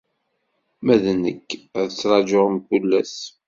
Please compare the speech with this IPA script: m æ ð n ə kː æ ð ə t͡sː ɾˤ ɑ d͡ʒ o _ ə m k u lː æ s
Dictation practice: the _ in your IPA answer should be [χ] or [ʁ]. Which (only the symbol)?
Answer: ʁ